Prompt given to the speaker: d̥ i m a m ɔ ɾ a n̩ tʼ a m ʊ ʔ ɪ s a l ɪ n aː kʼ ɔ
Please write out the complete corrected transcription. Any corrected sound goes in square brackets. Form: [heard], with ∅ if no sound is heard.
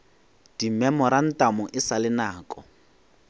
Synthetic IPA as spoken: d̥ i m [ɛ] m ɔ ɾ a n̩ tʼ a m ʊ ʔ ɪ s a l ɪ n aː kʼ ɔ